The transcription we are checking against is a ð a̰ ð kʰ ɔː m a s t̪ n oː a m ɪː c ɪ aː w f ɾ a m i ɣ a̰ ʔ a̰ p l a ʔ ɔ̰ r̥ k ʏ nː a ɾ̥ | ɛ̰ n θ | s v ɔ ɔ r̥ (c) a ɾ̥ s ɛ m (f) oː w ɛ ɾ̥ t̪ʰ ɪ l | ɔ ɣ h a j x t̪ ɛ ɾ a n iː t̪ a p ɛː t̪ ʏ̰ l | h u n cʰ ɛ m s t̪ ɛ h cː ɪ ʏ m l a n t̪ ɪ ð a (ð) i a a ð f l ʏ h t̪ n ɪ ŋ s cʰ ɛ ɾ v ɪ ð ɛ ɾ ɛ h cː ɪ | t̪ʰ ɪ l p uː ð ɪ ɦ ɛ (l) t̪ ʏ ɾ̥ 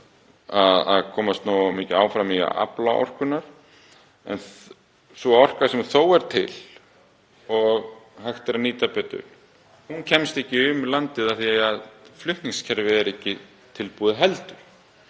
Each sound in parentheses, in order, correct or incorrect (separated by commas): incorrect, incorrect, incorrect, correct